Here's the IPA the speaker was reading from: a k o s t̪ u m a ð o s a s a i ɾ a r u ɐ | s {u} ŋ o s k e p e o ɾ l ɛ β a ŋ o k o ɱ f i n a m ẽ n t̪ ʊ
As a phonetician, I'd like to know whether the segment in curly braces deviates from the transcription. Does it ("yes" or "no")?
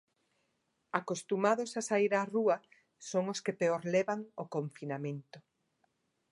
yes